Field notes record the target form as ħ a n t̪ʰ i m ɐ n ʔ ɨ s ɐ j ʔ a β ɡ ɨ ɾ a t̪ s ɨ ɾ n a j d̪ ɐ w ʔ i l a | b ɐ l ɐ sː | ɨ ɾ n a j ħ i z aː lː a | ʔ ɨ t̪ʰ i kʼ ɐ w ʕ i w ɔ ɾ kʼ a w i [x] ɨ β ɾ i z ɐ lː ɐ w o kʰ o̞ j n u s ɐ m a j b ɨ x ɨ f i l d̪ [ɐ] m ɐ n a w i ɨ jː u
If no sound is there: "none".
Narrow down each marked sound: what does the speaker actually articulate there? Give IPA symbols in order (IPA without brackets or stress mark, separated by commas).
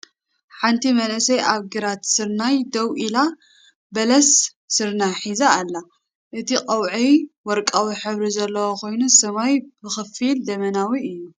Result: ħ, ɐ